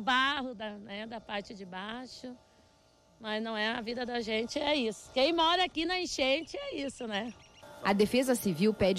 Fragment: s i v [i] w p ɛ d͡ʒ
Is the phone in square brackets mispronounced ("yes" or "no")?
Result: no